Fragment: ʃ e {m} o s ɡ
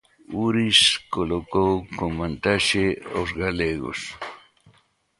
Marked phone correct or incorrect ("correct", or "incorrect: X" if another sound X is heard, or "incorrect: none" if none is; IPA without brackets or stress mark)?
incorrect: none